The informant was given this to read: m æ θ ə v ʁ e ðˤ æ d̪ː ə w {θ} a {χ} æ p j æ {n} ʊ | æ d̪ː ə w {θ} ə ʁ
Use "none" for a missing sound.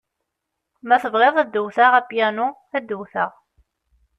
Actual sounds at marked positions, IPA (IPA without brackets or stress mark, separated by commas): θ, ʁ, n, θ